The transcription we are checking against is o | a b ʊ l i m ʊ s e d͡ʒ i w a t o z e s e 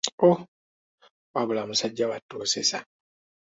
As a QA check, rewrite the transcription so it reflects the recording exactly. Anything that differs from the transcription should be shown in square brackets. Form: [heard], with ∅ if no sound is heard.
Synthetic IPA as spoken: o | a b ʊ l [a] m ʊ s [a] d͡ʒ [a] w a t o [s] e s [a]